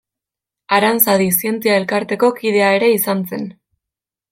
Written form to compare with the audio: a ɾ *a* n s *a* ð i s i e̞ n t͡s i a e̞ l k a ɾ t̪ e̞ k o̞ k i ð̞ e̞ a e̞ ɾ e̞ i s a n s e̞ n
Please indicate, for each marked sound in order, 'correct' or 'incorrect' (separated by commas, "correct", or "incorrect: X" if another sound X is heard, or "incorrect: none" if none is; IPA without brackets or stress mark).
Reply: correct, correct